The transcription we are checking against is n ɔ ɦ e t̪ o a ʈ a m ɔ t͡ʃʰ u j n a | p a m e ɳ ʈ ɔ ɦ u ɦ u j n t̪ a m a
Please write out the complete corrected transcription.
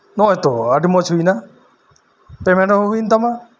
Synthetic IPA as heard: n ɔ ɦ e t̪ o a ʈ i m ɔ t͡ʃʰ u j n a | p e m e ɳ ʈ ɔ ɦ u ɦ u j n t̪ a m a